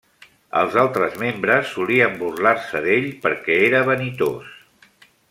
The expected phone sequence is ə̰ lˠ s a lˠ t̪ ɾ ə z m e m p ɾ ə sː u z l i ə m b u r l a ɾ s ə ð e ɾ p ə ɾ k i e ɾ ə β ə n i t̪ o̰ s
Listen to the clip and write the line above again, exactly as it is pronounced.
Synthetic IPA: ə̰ lˠ z a lˠ t̪ ɾ ə z m e m b ɾ ə sː u l i ə m b u r l a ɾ s ə ð e ʎ p ə ɾ k ɛ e ɾ ə β ə n i t̪ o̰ s